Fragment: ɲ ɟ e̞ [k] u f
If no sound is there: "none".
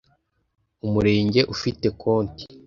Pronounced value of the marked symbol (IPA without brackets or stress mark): ʔ